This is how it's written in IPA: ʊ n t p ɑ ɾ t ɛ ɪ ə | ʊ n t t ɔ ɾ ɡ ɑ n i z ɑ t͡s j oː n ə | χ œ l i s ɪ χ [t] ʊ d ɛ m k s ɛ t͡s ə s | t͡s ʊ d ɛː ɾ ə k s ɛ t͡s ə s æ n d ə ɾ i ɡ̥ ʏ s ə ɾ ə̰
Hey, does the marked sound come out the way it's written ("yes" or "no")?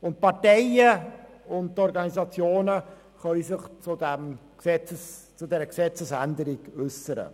no